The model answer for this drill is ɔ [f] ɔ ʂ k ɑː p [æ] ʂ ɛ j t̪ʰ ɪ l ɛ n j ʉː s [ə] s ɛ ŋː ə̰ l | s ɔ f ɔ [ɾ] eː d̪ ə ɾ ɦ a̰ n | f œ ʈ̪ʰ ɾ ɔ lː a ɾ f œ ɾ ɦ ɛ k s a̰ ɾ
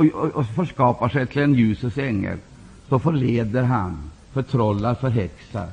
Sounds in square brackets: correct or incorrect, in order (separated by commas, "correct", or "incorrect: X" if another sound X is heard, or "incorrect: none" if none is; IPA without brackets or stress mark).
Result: correct, incorrect: a, correct, incorrect: ɭ